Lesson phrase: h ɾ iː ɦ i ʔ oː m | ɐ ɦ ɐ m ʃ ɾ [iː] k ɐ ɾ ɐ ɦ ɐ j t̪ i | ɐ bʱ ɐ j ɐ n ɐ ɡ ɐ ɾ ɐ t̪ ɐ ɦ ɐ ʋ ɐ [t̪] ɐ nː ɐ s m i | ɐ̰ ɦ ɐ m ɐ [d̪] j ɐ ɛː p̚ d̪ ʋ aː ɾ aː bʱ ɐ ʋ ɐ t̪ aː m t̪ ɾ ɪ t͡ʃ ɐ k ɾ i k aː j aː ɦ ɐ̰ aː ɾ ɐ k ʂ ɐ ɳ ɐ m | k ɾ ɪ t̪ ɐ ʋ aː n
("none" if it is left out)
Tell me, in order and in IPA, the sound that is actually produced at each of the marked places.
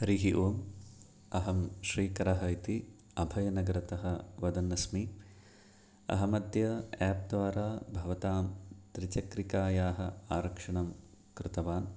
iː, d̪, d̪

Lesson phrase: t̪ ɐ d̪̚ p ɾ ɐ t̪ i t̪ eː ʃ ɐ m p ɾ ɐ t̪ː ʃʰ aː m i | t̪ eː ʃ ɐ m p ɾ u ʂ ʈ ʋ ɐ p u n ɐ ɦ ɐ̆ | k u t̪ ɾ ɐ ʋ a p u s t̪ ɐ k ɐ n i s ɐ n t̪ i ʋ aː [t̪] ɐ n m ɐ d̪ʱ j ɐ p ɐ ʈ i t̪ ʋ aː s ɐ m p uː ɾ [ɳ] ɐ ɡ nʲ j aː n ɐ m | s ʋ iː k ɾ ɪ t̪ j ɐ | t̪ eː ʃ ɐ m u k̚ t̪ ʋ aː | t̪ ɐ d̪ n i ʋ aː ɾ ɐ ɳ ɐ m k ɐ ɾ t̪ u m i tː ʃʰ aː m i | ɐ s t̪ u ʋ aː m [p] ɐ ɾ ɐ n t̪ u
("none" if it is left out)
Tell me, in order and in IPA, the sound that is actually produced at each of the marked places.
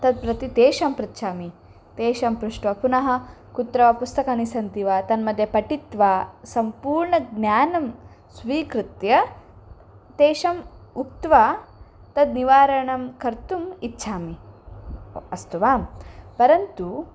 t̪, ɳ, p

